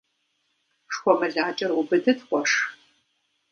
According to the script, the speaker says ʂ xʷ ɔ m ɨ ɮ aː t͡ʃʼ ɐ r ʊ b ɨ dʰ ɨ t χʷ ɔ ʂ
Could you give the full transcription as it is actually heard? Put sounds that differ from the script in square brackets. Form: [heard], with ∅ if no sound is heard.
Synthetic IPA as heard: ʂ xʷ ɔ m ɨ ɮ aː t͡ʃʼ ɐ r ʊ b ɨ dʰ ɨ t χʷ ɔ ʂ